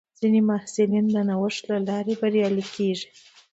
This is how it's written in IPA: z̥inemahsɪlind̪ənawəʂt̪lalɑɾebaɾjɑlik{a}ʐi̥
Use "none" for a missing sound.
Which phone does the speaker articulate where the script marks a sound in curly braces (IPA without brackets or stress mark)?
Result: e